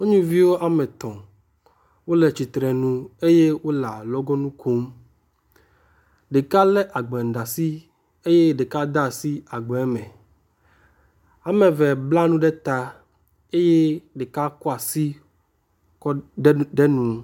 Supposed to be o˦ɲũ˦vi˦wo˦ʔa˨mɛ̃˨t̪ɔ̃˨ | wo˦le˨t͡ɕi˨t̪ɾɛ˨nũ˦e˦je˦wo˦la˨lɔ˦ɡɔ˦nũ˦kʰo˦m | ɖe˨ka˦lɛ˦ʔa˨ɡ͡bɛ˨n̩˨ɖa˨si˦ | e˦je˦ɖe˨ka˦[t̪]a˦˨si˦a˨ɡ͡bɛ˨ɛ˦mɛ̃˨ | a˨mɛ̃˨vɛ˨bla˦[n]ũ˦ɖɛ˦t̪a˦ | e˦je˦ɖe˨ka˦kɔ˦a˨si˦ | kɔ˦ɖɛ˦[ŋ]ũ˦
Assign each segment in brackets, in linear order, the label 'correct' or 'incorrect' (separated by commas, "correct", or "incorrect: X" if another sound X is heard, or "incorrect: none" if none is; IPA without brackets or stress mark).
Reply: incorrect: d̪, correct, incorrect: n